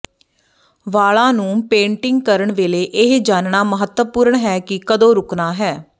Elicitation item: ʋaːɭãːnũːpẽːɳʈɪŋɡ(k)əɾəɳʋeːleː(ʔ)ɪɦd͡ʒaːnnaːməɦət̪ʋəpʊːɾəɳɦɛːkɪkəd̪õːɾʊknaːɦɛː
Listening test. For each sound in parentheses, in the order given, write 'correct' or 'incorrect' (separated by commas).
correct, correct